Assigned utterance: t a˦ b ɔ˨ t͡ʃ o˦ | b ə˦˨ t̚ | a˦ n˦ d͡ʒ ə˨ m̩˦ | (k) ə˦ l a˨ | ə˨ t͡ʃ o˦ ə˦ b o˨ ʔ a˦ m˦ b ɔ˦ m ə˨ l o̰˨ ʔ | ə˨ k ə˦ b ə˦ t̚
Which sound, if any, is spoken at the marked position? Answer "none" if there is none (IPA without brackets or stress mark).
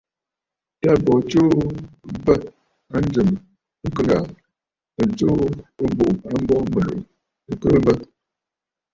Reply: k